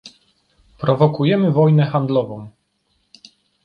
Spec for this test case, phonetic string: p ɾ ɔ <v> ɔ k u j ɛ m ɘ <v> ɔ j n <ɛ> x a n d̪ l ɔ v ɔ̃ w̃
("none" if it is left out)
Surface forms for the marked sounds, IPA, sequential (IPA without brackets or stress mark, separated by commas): v, v, ɛ